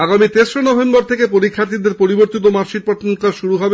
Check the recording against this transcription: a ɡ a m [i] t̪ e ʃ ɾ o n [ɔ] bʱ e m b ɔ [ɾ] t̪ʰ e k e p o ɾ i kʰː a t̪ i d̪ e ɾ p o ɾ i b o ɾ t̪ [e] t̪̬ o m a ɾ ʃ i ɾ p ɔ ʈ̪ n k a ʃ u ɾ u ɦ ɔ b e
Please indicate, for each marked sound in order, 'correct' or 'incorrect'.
correct, correct, correct, incorrect: i

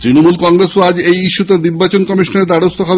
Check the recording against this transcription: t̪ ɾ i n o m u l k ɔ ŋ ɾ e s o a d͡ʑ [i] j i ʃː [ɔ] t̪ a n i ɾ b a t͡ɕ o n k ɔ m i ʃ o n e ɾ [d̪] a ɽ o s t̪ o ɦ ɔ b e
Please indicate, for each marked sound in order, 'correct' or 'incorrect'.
incorrect: e, incorrect: u, correct

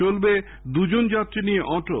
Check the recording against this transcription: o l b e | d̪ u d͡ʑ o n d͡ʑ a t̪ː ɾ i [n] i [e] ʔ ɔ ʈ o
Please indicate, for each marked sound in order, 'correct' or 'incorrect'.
correct, correct

